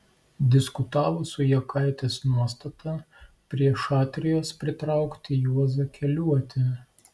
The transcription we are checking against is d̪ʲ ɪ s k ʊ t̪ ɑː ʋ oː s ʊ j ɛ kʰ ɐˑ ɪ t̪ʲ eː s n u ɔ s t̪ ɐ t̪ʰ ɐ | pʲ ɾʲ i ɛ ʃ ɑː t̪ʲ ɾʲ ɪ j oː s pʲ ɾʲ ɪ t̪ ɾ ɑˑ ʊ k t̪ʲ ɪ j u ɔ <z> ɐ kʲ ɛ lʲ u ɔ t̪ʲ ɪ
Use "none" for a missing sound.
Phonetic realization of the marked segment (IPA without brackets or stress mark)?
z